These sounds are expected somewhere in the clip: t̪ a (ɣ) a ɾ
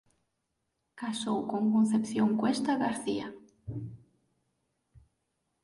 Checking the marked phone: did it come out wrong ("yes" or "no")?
no